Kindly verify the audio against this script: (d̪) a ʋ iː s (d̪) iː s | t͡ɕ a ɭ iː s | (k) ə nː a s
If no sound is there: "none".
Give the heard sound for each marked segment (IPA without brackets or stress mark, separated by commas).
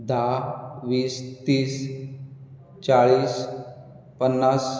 d̪, t̪, p